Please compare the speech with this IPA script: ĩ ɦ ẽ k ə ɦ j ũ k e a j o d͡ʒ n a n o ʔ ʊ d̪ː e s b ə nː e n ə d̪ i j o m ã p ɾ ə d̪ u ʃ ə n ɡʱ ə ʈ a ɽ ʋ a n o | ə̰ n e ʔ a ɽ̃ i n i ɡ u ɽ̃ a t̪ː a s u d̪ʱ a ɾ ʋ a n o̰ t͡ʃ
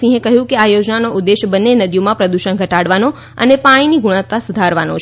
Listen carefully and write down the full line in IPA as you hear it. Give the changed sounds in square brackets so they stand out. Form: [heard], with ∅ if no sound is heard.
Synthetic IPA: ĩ ɦ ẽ k ə ɦ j ũ k e a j o d͡ʒ n a n o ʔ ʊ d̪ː e [ʃ] b ə nː e n ə d̪ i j o m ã p ɾ ə d̪ u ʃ ə n ɡʱ ə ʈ a ɽ ʋ a n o | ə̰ n e [p] a ɽ̃ i n i ɡ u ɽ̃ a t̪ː a s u d̪ʱ a ɾ ʋ a n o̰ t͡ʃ